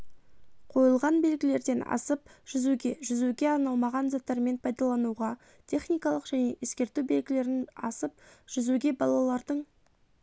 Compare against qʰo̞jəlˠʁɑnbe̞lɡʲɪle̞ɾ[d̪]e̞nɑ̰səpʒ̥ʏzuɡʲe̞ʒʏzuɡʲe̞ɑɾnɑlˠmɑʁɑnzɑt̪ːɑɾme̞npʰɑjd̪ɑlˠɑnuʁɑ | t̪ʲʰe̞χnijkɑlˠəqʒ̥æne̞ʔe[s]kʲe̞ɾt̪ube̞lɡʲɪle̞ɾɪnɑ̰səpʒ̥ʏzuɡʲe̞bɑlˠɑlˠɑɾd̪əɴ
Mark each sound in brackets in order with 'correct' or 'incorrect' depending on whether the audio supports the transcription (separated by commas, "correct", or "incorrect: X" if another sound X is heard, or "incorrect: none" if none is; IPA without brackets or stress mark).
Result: correct, correct